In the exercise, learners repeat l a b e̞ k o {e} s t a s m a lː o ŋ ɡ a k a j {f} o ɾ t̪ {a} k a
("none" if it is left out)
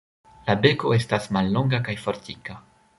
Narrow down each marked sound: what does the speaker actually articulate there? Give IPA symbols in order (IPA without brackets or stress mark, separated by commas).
e, f, i